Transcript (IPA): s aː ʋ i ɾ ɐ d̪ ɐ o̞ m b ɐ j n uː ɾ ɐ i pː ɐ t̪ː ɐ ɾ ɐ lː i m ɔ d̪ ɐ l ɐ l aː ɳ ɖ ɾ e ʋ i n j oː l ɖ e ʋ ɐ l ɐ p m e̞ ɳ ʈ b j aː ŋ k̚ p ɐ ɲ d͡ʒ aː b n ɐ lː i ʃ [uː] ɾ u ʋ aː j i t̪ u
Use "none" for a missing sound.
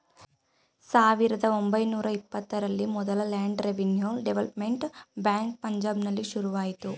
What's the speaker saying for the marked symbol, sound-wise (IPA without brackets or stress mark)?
u